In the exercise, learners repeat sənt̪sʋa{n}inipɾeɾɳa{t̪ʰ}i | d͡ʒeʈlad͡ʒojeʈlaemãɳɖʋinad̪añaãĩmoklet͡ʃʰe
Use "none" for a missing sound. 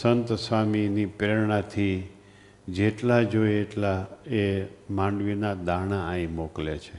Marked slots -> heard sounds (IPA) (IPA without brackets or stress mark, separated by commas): m, t̪ʰ